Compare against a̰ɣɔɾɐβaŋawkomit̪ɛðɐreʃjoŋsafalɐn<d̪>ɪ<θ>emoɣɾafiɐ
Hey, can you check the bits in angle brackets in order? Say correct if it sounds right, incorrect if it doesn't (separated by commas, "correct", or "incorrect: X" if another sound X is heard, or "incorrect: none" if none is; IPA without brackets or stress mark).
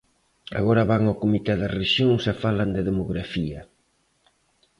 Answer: correct, incorrect: ð